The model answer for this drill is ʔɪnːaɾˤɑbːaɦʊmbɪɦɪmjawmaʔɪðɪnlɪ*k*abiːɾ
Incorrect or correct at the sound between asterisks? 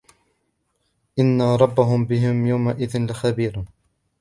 incorrect: x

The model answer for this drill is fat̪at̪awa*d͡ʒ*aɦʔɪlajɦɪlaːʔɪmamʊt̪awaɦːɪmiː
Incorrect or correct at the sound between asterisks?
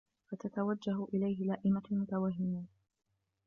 incorrect: d͡ʒː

